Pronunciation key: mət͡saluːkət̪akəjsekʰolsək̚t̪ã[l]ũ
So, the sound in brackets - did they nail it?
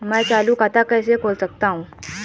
no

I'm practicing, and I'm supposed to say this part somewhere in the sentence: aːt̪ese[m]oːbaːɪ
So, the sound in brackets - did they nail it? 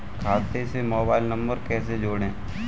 yes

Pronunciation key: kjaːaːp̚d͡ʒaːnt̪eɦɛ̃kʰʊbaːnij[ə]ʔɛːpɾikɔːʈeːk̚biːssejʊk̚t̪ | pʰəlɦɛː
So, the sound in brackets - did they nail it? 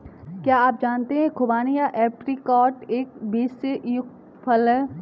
no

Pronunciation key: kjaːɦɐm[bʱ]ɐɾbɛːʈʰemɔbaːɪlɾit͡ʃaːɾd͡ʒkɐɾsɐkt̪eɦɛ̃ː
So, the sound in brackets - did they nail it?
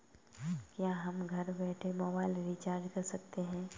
no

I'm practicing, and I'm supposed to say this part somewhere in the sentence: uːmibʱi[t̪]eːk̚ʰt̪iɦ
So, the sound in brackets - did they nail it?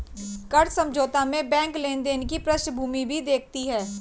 no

